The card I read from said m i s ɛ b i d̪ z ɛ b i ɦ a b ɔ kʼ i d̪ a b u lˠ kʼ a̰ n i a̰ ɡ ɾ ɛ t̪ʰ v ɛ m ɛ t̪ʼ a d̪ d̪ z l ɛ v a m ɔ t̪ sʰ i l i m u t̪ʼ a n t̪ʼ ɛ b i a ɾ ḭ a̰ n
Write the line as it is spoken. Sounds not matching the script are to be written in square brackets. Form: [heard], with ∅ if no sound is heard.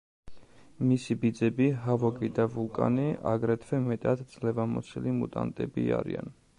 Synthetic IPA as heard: m i s [i] b i d̪ z ɛ b i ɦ a [v] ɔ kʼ i d̪ a [v] u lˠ kʼ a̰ n i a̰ ɡ ɾ ɛ t̪ʰ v ɛ m ɛ t̪ʼ a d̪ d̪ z l ɛ v a m ɔ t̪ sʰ i l i m u t̪ʼ a n t̪ʼ ɛ b i a ɾ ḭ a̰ n